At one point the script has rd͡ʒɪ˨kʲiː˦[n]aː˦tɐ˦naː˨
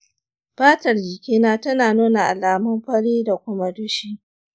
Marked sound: correct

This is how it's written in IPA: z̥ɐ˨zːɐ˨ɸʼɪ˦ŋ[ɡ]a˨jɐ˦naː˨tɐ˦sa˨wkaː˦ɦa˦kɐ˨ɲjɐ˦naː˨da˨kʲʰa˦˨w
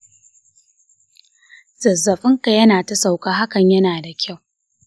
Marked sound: incorrect: k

